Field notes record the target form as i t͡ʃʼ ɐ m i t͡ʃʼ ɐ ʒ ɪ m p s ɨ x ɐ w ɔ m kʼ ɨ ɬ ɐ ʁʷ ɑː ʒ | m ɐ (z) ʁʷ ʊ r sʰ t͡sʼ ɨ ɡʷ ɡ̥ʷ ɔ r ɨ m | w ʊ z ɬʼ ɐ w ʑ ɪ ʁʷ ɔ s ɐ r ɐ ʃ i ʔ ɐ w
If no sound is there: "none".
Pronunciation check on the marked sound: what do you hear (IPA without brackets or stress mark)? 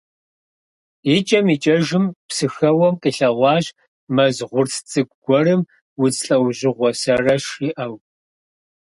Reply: z